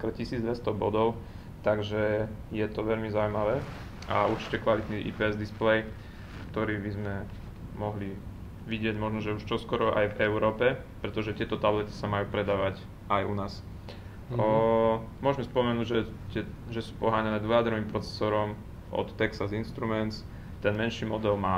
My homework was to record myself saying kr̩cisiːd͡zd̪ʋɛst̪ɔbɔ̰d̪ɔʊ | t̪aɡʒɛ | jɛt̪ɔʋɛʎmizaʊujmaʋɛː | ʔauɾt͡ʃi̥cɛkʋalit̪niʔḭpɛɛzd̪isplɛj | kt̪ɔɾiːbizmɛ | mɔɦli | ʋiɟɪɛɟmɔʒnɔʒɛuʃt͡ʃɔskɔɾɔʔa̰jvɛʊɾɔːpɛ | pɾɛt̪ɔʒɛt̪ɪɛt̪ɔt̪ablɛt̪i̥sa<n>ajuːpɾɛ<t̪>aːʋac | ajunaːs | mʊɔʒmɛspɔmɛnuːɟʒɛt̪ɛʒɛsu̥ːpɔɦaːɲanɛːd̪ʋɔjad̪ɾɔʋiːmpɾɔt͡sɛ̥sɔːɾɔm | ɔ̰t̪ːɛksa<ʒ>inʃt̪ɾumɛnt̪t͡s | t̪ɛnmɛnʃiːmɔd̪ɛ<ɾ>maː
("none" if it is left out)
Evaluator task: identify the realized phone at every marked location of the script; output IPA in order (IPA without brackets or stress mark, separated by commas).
m, d̪, z, l